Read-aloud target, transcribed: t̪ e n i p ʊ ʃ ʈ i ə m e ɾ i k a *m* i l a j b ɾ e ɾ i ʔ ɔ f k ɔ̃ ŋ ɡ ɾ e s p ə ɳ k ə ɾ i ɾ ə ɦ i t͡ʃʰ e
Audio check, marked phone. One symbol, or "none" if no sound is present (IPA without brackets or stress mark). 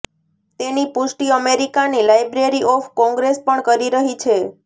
n